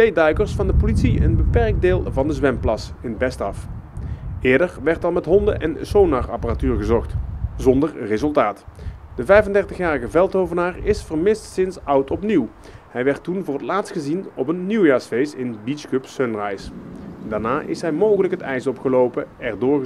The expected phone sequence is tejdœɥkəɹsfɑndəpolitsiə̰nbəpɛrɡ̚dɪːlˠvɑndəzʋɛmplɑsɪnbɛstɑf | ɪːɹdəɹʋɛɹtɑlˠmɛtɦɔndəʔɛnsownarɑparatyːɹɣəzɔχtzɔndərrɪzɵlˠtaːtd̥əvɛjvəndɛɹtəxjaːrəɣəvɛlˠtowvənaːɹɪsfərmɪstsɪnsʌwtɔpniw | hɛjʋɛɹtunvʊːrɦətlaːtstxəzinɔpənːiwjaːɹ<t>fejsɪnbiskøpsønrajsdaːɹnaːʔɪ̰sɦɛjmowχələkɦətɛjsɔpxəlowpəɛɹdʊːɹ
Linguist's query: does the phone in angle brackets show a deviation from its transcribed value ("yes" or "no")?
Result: yes